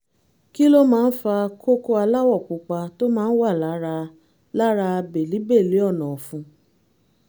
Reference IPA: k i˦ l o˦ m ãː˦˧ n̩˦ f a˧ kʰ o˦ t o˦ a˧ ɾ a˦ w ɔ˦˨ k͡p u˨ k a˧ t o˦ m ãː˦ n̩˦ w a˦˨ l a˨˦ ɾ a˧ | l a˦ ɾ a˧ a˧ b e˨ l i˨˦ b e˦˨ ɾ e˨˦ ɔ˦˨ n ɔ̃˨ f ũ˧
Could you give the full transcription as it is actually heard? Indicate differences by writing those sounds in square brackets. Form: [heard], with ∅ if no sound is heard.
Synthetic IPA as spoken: k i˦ l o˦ m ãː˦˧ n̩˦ f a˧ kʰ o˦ [k] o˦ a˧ [l] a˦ w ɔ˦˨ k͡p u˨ [k͡p] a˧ t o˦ m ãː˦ n̩˦ w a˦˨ l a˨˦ ɾ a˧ | l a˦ ɾ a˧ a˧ b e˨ l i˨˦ b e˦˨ [l] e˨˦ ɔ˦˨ n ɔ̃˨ f ũ˧